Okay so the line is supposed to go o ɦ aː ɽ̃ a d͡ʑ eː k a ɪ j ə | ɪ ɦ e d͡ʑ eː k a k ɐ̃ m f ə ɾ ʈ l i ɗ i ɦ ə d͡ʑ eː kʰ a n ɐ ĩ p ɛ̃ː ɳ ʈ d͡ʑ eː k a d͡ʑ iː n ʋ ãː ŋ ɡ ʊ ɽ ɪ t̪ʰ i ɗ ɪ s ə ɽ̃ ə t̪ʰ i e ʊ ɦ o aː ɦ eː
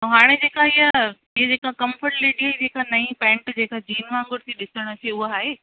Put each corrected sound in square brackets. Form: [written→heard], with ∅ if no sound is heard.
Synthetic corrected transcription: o ɦ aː ɽ̃ [a→e] d͡ʑ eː k a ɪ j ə | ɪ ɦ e d͡ʑ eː k a k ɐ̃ m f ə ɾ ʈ l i ɗ i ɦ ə d͡ʑ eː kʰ a n ɐ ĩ p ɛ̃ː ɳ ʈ d͡ʑ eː k a d͡ʑ iː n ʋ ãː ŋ ɡ ʊ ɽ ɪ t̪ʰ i ɗ ɪ s ə ɽ̃ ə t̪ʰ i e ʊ ɦ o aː ɦ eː